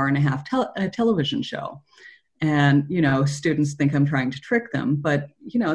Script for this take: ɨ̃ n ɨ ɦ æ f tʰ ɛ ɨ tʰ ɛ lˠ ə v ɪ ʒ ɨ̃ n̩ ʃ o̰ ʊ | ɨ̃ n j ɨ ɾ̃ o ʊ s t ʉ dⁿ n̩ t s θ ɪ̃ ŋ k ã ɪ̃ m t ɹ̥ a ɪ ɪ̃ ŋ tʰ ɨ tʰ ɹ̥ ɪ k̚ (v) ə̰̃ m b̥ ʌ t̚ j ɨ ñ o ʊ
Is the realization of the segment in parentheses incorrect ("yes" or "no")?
yes